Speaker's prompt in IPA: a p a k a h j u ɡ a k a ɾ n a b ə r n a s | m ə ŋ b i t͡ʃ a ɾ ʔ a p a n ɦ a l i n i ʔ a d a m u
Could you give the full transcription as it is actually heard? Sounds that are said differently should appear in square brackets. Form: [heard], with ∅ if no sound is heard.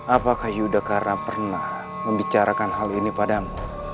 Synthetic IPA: a p a k a h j u [d] a k a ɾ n a [p] ə r n a [h] | m ə [m] b i t͡ʃ a ɾ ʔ a [k] a n ɦ a l i n i [p] a d a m u